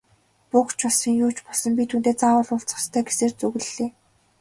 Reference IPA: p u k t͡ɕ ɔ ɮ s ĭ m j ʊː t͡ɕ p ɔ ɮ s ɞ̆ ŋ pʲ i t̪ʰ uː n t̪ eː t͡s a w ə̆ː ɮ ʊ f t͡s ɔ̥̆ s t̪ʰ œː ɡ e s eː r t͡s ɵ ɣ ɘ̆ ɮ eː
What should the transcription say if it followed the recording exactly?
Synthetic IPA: p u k t͡ɕ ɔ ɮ s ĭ ŋ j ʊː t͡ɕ p ɔ ɮ s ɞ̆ m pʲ i t̪ʰ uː n t̪ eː t͡s a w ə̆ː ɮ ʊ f t͡s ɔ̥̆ s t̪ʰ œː ɡ e s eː r t͡s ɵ ɣ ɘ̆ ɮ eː